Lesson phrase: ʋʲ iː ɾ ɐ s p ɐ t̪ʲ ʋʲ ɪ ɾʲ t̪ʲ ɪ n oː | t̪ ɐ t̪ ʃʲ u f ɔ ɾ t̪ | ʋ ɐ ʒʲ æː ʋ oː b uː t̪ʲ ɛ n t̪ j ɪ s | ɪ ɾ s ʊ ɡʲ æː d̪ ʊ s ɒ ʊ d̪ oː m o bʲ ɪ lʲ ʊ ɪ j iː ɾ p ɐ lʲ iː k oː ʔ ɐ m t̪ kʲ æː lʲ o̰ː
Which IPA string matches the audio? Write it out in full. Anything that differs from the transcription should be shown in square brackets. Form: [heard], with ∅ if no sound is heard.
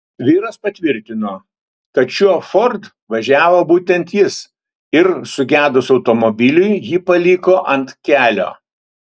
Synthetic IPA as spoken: ʋʲ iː ɾ ɐ s p ɐ t̪ʲ ʋʲ ɪ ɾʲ t̪ʲ ɪ n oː | t̪ ɐ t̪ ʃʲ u f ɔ ɾ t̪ | ʋ ɐ ʒʲ æː ʋ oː b uː t̪ʲ ɛ n t̪ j ɪ s | ɪ ɾ s ʊ ɡʲ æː d̪ ʊ s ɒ ʊ [t̪] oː m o bʲ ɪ lʲ ʊ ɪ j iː [∅] p ɐ lʲ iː k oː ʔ ɐ [n] t̪ kʲ æː lʲ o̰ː